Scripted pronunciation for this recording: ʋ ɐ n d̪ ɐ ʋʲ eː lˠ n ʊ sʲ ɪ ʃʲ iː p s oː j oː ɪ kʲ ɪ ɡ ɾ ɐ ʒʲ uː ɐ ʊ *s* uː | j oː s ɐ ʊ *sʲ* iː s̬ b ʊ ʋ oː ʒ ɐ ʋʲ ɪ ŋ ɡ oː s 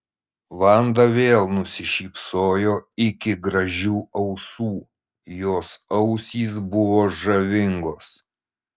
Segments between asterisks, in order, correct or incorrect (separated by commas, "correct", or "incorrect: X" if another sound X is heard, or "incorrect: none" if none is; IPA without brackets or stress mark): correct, correct